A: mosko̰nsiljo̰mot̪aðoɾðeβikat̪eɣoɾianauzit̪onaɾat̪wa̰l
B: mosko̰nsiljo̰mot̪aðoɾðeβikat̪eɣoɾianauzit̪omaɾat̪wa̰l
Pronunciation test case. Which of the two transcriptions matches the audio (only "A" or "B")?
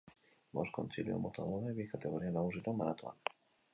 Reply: B